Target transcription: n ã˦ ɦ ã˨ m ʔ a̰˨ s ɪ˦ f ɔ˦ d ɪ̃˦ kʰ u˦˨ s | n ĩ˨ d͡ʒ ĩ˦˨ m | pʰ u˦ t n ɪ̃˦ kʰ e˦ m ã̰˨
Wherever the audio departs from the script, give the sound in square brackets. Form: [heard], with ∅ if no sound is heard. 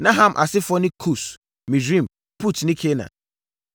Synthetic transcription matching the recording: n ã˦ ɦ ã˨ m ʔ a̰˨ s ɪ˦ f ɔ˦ [n] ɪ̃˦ kʰ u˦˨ s | [m] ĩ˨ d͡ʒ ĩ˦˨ m | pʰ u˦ t n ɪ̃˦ kʰ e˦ [n] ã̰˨